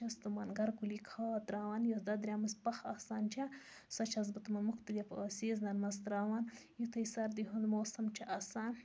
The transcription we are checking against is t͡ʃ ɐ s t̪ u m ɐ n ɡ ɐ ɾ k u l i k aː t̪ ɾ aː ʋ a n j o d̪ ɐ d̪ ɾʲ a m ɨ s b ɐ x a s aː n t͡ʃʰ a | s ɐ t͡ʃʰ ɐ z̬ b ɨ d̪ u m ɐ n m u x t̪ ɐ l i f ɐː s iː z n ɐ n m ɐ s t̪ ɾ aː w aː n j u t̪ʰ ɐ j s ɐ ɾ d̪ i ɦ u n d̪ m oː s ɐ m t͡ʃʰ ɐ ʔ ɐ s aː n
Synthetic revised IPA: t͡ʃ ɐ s t̪ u m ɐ n ɡ ɐ ɾ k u l i kʰ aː t̪ ɾ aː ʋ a n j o d̪ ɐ d̪ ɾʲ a m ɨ s p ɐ x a s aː n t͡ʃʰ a | s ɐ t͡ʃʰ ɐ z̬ b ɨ t̪ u m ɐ n m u x t̪ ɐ l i f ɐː s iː z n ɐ n m ɐ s t̪ ɾ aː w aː n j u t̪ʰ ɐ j s ɐ ɾ d̪ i ɦ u n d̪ m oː s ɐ m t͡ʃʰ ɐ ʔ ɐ s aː n